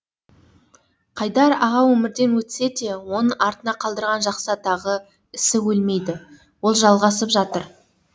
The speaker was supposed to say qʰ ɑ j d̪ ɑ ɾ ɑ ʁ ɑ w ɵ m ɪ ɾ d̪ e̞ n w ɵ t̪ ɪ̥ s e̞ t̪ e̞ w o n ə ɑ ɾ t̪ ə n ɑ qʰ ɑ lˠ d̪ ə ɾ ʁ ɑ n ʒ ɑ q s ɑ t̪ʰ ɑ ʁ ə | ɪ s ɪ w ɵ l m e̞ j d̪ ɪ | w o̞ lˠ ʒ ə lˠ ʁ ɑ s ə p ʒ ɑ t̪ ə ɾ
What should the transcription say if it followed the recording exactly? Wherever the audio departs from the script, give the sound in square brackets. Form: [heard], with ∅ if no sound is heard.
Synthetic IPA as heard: qʰ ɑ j d̪ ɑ ɾ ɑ ʁ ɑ w ɵ m ɪ ɾ d̪ e̞ n w ɵ t̪ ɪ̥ s e̞ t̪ e̞ w o n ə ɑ ɾ t̪ ə n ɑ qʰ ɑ lˠ d̪ ə ɾ ʁ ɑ n ʒ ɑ q s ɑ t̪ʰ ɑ ʁ ə | ɪ s ɪ w ɵ l m e̞ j d̪ ɪ | w o̞ lˠ ʒ [ɑ] lˠ ʁ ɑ s ə p ʒ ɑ t̪ ə ɾ